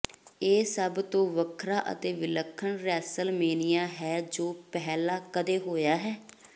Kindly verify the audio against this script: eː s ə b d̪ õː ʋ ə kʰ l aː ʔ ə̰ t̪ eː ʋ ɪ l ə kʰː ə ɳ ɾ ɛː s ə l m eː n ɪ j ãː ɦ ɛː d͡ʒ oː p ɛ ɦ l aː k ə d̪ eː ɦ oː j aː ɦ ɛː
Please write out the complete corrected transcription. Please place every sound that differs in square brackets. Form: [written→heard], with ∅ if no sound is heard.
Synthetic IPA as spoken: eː s ə b [d̪→t̪] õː ʋ ə kʰ [l→ɾ] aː ʔ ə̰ t̪ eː ʋ ɪ l ə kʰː ə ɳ ɾ ɛː s ə l m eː n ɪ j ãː ɦ ɛː d͡ʒ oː p ɛ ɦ l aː k ə d̪ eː ɦ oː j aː ɦ ɛː